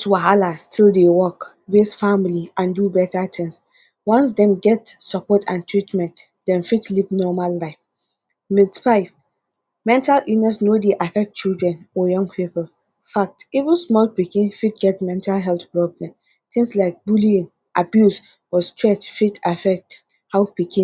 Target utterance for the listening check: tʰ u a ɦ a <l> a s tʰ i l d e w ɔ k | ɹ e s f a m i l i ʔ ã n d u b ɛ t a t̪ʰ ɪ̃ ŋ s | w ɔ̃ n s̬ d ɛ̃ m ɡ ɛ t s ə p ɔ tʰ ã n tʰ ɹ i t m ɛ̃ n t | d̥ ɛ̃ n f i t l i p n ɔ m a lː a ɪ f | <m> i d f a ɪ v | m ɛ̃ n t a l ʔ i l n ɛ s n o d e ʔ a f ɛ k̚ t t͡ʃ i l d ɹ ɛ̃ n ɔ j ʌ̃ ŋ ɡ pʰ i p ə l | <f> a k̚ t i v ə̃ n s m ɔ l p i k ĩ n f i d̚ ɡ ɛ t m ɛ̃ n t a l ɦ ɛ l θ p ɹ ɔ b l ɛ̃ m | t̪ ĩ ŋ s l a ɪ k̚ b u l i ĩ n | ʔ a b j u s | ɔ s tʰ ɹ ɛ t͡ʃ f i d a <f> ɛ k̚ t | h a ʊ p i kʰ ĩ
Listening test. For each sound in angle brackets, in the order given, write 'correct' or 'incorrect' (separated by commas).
correct, correct, correct, correct